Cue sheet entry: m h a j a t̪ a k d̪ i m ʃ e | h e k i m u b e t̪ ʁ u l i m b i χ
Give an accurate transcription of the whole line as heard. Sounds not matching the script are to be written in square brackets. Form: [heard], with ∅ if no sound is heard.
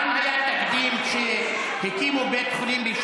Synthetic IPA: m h a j a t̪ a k d̪ i m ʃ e | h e k i m u b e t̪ [χ] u l i m b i [ʃ]

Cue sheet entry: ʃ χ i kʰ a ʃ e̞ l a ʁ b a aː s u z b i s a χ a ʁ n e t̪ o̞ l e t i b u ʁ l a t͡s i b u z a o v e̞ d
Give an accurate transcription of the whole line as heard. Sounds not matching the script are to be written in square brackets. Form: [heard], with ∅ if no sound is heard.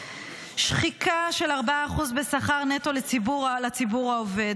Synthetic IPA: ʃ χ i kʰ a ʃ e̞ l a ʁ b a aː [χ] u z b [e] s a χ a ʁ n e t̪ o̞ l e [t͡s] i b u ʁ l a t͡s i b u [ʁ] a o v e̞ d

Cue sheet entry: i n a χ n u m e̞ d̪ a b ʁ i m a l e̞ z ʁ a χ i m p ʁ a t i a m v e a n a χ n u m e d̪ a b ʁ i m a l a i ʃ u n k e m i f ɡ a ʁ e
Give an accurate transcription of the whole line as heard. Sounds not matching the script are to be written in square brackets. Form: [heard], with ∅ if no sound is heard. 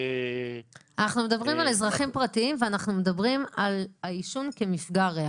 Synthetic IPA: [a] n a χ n u m e̞ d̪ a b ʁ i m a l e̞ z ʁ a χ i m p ʁ a t i [i] m v e a n a χ n u m e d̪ a b ʁ i m a l a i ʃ u n k e m i f ɡ a ʁ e

